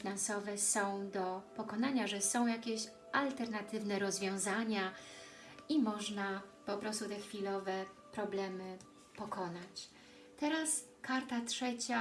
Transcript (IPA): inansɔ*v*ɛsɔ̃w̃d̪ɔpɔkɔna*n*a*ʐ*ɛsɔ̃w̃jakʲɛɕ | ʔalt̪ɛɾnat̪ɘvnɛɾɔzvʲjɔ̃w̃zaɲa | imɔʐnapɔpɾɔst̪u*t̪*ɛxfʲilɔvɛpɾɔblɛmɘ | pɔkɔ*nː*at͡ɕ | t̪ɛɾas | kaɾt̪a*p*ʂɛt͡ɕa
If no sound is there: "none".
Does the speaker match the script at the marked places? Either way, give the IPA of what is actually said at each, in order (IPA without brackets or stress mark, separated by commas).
v, ɲ, ʐ, t̪, n, t